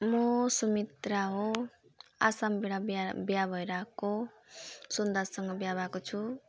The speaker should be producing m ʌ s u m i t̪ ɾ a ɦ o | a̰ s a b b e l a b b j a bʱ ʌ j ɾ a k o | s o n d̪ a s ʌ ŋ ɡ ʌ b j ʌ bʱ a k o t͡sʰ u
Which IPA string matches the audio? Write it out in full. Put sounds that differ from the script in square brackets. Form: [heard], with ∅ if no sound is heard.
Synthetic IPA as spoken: m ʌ s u m i t̪ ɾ a ɦ o | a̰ s a [m] b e [ɽ] a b b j a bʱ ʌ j ɾ a k o | s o n d̪ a s ʌ ŋ ɡ ʌ b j [a] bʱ a k o t͡sʰ u